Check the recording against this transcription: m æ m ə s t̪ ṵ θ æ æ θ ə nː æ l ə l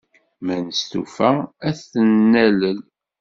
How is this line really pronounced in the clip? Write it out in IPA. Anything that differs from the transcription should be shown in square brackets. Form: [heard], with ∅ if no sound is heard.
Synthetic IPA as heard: m æ [n] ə s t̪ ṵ [f] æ æ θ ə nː æ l ə l